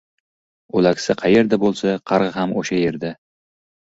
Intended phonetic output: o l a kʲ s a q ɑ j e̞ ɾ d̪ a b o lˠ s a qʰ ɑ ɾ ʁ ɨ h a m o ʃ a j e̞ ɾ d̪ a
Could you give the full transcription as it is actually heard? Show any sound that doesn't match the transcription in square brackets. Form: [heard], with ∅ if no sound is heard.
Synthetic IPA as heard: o l a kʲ s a [qʰ] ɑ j e̞ ɾ d̪ a b o lˠ s a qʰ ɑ ɾ ʁ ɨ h a m o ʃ a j e̞ ɾ d̪ a